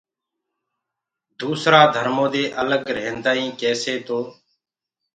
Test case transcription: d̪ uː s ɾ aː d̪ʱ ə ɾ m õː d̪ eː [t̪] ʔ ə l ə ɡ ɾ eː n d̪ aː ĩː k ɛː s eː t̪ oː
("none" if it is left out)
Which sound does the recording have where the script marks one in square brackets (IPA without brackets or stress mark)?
none